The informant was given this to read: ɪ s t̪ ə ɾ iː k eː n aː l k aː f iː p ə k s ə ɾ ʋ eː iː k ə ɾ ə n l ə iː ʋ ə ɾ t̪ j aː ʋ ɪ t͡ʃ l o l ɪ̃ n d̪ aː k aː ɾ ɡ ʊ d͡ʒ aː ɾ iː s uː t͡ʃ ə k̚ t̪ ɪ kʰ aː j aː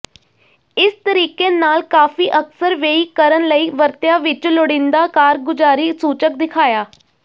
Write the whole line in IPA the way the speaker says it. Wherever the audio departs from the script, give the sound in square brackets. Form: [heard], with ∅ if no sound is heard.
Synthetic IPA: ɪ s t̪ ə ɾ iː k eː n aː l k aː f iː [ʔ] ə k s ə ɾ ʋ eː iː k ə ɾ ə n l ə iː ʋ ə ɾ t̪ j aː ʋ ɪ t͡ʃ l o [ɽ] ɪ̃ n d̪ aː k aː ɾ ɡ ʊ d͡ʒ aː ɾ iː s uː t͡ʃ ə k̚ [d̪] ɪ kʰ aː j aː